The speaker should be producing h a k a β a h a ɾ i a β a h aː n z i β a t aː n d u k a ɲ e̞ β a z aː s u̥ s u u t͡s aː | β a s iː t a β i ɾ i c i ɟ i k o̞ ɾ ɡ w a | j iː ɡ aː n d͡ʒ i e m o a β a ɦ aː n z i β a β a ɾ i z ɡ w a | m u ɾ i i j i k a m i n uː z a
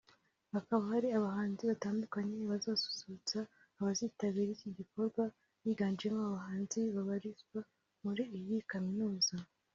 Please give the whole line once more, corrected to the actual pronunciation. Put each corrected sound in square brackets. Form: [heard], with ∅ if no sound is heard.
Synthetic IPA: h a k a β a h a ɾ i a β a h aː n z i β a t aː n d u k a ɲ e̞ β a z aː s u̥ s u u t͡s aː | β a [z] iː t a β i ɾ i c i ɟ i k o̞ ɾ ɡ w a | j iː ɡ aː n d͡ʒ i e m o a β a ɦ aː n z i β a β a ɾ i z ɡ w a | m u ɾ i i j i k a m i n uː z a

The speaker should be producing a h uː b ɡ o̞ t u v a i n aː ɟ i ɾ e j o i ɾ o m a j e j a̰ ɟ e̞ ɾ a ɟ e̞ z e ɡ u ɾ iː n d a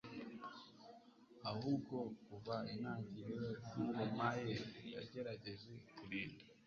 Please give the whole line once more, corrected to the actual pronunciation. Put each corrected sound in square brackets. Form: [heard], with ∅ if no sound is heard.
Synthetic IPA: a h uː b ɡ o̞ [k] u v a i n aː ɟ i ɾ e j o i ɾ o m a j e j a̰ ɟ e̞ ɾ a ɟ e̞ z e [k] u ɾ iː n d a

